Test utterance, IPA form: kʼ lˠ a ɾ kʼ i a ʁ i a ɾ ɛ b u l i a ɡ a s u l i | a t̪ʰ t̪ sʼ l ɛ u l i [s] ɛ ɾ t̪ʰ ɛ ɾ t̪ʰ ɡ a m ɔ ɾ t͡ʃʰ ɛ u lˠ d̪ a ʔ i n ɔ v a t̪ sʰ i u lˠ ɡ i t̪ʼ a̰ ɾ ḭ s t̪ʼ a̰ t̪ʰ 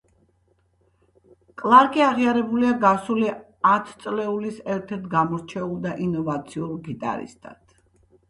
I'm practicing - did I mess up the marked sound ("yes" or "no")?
no